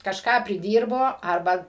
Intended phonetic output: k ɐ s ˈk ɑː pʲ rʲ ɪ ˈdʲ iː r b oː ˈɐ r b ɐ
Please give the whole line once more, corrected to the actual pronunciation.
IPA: k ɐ ʃ ˈk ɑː pʲ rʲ ɪ ˈdʲ iː r b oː ˈɐ r b ɐ